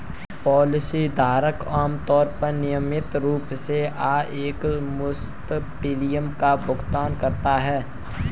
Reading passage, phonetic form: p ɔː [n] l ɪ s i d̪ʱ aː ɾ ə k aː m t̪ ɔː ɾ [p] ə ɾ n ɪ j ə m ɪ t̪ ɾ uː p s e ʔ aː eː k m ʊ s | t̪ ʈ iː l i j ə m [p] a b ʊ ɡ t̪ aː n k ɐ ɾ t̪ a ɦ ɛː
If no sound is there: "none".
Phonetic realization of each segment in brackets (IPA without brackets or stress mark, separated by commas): none, p, k